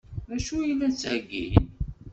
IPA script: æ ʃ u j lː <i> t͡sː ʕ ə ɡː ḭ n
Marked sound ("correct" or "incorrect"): incorrect